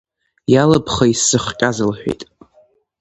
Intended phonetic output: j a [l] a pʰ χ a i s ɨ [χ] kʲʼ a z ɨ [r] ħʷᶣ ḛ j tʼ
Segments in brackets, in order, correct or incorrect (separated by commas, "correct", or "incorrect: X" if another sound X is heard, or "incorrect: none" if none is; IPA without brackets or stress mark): correct, correct, incorrect: l